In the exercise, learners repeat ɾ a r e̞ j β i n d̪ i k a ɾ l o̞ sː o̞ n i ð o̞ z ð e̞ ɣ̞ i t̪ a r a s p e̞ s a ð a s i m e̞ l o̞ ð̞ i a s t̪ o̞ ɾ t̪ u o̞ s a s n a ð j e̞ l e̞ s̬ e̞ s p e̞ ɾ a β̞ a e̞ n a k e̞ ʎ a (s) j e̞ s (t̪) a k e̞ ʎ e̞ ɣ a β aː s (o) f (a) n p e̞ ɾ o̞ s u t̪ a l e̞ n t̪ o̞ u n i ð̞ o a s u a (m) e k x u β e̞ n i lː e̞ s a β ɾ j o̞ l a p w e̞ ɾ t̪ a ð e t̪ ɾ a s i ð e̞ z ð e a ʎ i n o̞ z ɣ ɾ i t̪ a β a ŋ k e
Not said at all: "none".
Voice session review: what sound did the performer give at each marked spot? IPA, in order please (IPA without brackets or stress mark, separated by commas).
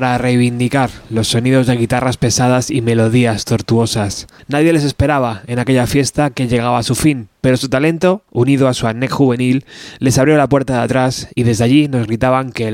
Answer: f, t̪, u, i, n